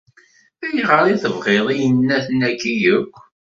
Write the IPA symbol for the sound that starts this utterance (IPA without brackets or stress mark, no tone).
æ